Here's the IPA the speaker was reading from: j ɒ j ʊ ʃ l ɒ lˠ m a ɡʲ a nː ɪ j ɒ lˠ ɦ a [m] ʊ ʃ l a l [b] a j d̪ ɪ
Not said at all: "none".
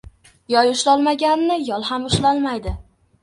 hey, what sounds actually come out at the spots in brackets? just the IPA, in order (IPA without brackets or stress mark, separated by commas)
m, m